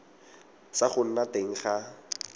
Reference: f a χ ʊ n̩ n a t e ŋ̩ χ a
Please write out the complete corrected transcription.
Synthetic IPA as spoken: s a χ ʊ n̩ n a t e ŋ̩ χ a